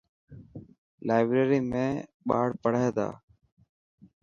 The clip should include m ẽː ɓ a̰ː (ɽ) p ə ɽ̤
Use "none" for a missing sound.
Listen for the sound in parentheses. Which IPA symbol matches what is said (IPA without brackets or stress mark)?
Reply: ɽ